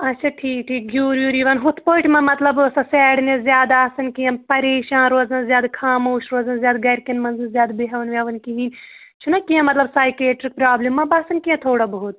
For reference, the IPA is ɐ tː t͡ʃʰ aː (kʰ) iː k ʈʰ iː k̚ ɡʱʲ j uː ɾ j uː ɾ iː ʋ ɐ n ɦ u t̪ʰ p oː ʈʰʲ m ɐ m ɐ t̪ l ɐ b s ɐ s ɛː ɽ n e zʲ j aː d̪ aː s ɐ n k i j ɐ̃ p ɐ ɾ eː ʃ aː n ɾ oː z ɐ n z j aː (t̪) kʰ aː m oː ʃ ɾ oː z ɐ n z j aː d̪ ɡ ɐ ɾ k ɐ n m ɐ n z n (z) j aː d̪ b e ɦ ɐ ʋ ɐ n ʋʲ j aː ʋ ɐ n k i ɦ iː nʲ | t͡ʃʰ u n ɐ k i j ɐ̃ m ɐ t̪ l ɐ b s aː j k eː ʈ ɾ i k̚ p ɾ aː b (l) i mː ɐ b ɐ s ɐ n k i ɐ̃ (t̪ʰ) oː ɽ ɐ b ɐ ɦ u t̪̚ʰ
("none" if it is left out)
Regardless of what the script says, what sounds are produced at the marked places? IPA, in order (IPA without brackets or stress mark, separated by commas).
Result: ʈʰ, d̪, z, l, t̪ʰ